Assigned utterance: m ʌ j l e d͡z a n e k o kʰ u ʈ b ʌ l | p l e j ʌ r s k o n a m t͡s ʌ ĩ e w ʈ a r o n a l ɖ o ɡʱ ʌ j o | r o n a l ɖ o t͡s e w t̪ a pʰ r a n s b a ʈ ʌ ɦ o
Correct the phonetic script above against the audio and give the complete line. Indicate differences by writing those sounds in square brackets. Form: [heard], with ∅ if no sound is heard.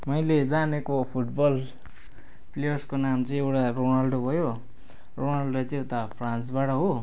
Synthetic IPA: m ʌ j l e d͡z a n e k o [pʰ] u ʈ b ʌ l | p l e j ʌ r s k o n a m t͡s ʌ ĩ e w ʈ a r o n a l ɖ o [bʱ] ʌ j o | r o n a l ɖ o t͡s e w t̪ a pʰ r a n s b a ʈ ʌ ɦ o